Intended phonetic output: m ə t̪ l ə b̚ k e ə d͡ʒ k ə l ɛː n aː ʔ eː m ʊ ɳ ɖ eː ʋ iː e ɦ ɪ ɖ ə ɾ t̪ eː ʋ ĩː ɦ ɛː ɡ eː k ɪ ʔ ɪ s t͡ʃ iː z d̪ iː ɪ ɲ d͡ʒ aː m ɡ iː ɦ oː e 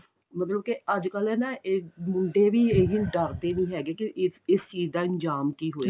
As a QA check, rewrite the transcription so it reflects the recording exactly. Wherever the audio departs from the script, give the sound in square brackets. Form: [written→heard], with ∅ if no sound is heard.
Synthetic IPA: m ə t̪ l ə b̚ k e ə d͡ʒ k ə l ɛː n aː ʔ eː m ʊ ɳ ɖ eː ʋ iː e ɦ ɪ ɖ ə ɾ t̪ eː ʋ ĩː ɦ ɛː ɡ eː k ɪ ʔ ɪ s t͡ʃ iː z d̪ [iː→aː] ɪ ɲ d͡ʒ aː m [ɡ→k] iː ɦ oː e